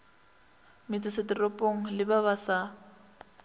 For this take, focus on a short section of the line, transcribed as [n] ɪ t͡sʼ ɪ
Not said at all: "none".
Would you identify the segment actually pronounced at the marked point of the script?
m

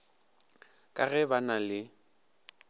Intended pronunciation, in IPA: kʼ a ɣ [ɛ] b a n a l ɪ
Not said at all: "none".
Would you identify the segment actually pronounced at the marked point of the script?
ɛ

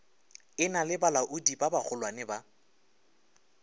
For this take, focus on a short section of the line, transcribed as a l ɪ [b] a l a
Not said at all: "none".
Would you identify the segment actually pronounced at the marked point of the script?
b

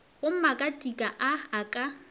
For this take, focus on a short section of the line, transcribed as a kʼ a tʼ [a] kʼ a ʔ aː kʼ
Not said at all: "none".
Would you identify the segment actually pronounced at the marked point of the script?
i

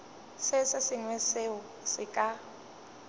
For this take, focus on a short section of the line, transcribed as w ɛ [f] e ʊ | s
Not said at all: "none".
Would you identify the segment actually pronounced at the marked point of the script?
s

